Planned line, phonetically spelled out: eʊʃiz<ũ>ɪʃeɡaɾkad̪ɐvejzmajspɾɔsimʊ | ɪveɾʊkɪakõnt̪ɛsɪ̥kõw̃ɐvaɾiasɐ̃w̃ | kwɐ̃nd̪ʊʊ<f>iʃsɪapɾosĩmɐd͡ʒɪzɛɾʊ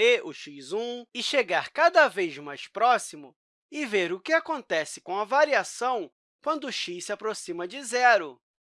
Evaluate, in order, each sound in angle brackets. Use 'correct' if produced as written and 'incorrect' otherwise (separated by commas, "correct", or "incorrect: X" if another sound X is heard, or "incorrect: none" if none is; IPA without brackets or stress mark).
correct, incorrect: ʃ